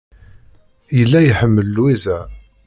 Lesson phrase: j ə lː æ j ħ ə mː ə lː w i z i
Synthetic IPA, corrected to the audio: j ə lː æ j ħ ə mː ə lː w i z æ